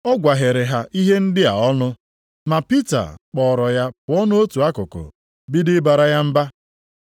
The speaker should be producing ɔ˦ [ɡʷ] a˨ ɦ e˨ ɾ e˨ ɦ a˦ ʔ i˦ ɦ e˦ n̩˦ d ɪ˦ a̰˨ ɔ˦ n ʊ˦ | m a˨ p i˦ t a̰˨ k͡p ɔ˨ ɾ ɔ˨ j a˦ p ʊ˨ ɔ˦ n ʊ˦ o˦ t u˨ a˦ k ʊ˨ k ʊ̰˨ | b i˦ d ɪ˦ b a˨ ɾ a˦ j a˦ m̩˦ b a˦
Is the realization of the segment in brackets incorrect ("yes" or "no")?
no